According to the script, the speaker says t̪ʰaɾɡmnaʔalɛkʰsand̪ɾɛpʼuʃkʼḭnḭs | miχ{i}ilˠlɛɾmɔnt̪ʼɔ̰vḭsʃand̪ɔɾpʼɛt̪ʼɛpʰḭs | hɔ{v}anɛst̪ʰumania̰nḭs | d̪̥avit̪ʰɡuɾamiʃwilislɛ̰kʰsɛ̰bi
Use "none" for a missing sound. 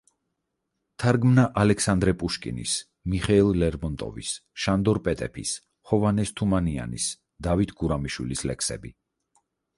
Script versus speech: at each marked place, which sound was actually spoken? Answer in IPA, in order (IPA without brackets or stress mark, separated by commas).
ɛ, v